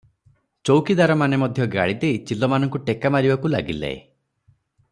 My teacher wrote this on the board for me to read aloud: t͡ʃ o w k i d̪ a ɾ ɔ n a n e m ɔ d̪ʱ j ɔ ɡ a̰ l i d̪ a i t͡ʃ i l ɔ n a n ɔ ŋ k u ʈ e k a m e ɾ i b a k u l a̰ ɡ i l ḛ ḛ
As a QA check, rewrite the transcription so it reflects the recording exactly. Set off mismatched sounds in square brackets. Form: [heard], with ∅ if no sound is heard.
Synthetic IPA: t͡ʃ o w k i d̪ a ɾ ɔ [m] a n e m ɔ d̪ʱ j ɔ ɡ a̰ [ɭ] i d̪ [e] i t͡ʃ i l ɔ [m] a n ɔ ŋ k u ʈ e k a m [a] ɾ i b a k u l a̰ ɡ i l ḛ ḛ

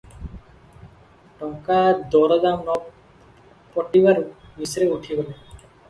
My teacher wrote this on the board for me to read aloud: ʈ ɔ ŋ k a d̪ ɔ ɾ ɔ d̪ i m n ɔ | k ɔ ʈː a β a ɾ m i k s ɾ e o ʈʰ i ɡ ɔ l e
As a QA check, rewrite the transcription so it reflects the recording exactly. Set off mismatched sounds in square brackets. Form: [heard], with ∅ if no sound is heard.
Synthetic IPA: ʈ ɔ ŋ k a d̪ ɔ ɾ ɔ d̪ [a] m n ɔ | [p] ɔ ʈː [i] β a ɾ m i [∅] s ɾ e [u] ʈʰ i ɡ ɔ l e

